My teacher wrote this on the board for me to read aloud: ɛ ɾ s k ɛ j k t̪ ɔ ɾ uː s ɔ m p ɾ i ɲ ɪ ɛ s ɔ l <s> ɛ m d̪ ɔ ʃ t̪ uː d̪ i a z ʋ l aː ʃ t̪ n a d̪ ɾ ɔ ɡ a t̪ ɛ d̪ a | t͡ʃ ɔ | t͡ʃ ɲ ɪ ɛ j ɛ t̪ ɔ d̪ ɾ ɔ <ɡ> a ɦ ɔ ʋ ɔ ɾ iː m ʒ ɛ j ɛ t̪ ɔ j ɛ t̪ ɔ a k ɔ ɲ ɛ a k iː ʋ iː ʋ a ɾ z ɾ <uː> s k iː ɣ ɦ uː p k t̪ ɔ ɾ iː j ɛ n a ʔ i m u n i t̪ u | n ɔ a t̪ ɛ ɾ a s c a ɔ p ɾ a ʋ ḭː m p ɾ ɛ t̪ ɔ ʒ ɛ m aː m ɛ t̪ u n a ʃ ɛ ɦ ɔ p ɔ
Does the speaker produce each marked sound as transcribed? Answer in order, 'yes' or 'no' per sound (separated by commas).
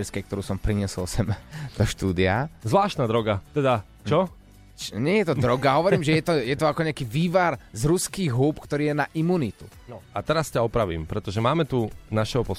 yes, yes, no